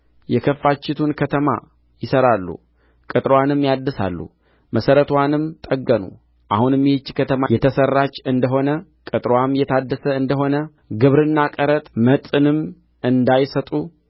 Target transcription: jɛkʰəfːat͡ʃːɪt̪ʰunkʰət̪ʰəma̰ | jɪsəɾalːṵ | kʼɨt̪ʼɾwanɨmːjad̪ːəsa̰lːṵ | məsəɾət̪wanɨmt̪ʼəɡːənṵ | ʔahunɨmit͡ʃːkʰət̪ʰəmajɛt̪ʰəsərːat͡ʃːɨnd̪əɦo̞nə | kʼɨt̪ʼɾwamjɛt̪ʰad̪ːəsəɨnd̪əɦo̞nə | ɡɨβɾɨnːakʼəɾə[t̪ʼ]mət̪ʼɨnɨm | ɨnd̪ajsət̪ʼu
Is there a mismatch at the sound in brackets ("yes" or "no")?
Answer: no